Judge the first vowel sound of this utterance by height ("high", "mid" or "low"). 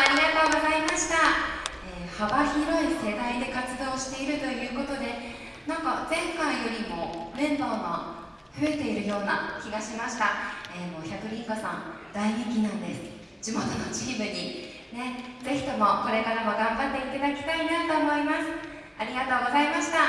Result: low